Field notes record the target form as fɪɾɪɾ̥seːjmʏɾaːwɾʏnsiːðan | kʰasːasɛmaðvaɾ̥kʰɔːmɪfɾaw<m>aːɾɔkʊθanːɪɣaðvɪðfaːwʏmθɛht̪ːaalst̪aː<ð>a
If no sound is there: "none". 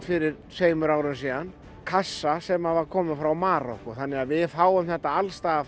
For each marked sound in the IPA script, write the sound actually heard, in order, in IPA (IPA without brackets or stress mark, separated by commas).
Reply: m, ɣ